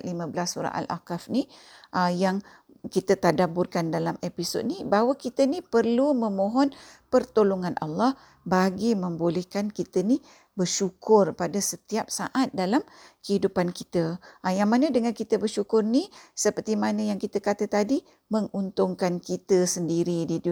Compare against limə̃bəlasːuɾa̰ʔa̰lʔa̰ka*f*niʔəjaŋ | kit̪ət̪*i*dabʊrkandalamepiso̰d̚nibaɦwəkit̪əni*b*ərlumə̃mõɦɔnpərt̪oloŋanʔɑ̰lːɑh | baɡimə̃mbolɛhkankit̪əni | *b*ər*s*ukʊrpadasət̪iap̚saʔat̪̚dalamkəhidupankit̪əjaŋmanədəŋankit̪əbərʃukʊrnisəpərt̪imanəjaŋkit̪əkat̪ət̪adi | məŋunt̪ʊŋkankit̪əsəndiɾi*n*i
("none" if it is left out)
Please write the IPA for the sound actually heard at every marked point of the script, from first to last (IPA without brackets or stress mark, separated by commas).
f, a, p, b, ʃ, d